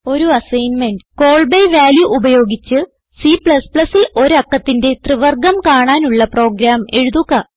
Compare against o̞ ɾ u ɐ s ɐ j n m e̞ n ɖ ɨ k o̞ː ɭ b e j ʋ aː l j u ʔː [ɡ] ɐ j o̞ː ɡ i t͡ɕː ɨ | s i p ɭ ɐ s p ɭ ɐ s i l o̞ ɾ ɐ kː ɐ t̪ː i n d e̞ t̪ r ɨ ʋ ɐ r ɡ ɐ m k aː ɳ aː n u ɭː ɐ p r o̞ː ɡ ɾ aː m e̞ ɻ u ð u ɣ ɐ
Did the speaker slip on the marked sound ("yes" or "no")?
yes